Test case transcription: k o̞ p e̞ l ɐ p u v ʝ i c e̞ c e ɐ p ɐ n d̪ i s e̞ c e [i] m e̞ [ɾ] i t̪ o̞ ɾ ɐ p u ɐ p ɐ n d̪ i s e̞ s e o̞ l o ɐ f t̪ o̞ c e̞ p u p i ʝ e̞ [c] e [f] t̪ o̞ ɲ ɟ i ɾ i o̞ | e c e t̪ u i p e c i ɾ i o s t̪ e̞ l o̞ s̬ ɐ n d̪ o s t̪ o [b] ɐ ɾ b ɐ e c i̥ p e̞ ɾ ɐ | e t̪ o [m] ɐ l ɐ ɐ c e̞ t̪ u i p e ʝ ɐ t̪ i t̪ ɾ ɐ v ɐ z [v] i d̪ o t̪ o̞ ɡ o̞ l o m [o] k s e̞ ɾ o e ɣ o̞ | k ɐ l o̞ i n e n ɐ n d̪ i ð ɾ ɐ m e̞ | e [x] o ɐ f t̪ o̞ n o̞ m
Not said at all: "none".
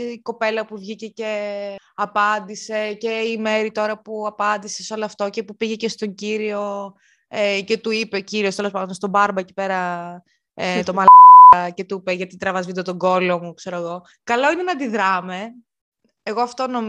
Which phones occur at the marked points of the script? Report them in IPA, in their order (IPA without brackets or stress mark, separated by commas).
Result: i, ɾ, c, s, b, m, v, u, ɣ